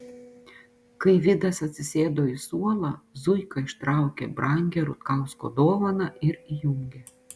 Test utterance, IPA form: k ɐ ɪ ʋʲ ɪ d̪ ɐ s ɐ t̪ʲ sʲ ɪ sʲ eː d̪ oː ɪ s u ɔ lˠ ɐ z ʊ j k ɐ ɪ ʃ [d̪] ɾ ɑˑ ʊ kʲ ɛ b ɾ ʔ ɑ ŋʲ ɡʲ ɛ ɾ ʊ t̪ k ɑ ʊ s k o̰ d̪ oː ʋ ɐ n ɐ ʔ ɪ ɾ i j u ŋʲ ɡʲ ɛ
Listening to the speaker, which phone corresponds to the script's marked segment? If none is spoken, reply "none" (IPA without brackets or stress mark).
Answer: t̪